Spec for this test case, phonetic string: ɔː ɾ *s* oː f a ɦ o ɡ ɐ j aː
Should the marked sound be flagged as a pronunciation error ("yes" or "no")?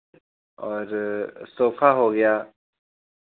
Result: no